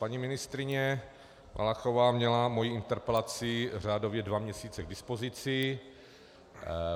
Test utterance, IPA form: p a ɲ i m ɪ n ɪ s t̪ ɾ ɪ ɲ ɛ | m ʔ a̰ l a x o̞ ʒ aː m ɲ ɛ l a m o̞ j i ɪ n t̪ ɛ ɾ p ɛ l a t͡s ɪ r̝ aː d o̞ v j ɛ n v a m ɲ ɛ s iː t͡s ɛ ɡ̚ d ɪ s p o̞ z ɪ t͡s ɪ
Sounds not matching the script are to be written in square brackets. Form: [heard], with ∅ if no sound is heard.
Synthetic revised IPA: p a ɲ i m ɪ n ɪ s t̪ ɾ ɪ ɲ ɛ | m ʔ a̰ l a x o̞ [v] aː m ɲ ɛ l a m o̞ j i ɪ n t̪ ɛ ɾ p ɛ l a t͡s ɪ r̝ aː d o̞ v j ɛ [d] v a m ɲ ɛ s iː t͡s ɛ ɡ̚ d ɪ s p o̞ z ɪ t͡s ɪ

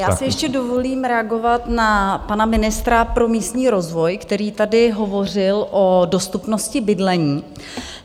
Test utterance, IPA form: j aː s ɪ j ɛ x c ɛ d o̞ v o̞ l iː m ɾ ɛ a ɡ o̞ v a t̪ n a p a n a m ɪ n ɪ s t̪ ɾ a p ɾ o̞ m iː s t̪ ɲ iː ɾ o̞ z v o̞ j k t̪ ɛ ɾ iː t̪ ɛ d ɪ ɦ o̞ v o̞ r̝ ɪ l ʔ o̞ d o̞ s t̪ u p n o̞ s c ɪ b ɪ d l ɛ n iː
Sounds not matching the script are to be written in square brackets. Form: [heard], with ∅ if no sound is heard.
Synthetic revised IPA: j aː s ɪ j ɛ [ʃ] c ɛ d o̞ v o̞ l iː m ɾ ɛ a ɡ o̞ v a t̪ n a p a n a m ɪ n ɪ s t̪ ɾ a p ɾ o̞ m iː s t̪ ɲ iː ɾ o̞ z v o̞ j k t̪ ɛ ɾ iː t̪ [a] d ɪ ɦ o̞ v o̞ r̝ ɪ l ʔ o̞ d o̞ s t̪ u p n o̞ s c ɪ b ɪ d l ɛ [ɲ] iː

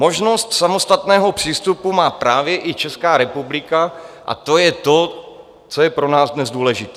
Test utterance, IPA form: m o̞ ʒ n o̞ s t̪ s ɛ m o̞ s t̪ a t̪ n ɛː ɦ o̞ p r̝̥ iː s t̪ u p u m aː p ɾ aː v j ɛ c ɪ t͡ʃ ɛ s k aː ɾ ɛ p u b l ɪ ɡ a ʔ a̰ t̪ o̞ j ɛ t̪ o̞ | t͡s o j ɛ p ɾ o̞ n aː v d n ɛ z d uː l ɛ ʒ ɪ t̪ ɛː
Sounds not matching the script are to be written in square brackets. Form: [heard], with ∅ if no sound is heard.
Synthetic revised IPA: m o̞ ʒ n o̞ s t̪ s [a] m o̞ s t̪ a t̪ n ɛː ɦ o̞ p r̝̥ iː s t̪ u p u m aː p ɾ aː v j ɛ [ʔ] ɪ t͡ʃ ɛ s k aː ɾ ɛ p u b l ɪ [k] a ʔ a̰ t̪ o̞ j ɛ t̪ o̞ | t͡s o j ɛ p ɾ o̞ n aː [z] d n ɛ z d uː l ɛ ʒ ɪ t̪ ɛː

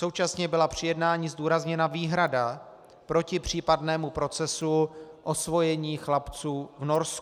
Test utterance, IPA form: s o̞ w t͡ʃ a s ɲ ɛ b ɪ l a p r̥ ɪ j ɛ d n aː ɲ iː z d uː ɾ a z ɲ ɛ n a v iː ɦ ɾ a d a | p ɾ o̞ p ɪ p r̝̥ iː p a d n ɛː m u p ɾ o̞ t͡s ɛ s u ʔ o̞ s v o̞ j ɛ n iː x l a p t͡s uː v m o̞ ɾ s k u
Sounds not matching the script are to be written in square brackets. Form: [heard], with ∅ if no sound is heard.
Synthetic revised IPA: s o̞ w t͡ʃ a s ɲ ɛ b ɪ l a p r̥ ɪ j ɛ d n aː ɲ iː z d uː ɾ a z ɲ ɛ n a v iː ɦ ɾ a d a | p ɾ o̞ [c] ɪ p r̝̥ iː p a d n ɛː m u p ɾ o̞ t͡s ɛ s u ʔ o̞ s v o̞ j ɛ [ɲ] iː x l a p t͡s uː v [n] o̞ ɾ s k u

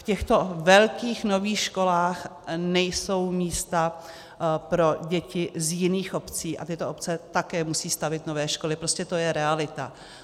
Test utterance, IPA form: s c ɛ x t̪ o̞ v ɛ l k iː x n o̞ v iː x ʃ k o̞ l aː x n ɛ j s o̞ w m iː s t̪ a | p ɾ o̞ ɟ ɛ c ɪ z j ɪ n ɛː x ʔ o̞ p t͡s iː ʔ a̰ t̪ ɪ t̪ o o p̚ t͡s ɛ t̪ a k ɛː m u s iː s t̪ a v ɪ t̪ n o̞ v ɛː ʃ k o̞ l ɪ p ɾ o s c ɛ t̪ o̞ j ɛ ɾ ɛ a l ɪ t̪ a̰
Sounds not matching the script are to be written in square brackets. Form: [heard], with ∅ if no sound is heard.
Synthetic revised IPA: [f] c ɛ x t̪ o̞ v ɛ l k iː x n o̞ v iː x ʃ k o̞ l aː x n ɛ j s o̞ w m iː s t̪ a | p ɾ o̞ ɟ ɛ c ɪ z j ɪ n [iː] x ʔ o̞ p t͡s iː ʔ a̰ t̪ ɪ t̪ o o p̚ t͡s ɛ t̪ a k ɛː m u s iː s t̪ a v ɪ t̪ n o̞ v ɛː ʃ k o̞ l ɪ p ɾ o s c ɛ t̪ o̞ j ɛ ɾ ɛ a l ɪ t̪ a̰

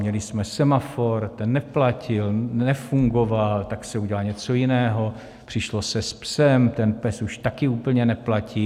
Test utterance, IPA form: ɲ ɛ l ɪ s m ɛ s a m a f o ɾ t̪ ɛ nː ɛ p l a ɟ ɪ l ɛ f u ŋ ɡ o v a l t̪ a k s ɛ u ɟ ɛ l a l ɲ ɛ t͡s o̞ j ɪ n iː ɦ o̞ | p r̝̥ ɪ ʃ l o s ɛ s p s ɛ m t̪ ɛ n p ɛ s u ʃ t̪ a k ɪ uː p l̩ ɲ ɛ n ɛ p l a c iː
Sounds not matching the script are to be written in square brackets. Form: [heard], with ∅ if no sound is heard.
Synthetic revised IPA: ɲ ɛ l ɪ s m ɛ s [ɛ] m a f o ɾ t̪ ɛ nː ɛ p l a [c] ɪ l ɛ f u ŋ ɡ o v a l t̪ a k s ɛ u ɟ ɛ l a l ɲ ɛ t͡s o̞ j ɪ n [ɛː] ɦ o̞ | p r̝̥ ɪ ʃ l o s ɛ s p s ɛ m t̪ ɛ n p ɛ s u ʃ t̪ a k ɪ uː p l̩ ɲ ɛ n ɛ p l a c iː

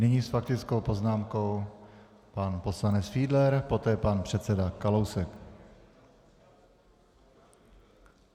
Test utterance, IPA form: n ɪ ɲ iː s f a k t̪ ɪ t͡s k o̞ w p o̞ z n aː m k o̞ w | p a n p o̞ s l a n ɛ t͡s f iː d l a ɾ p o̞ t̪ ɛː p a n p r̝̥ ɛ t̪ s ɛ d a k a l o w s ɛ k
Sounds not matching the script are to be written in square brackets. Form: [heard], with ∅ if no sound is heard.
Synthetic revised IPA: n ɪ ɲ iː s f a k t̪ ɪ t͡s k o̞ w p o̞ z n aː m k o̞ w | p a n p o̞ s l a n ɛ t͡s f iː d l [ɛ] ɾ p o̞ t̪ ɛː p a n p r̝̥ ɛ t̪ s ɛ d a k a l o w s ɛ k

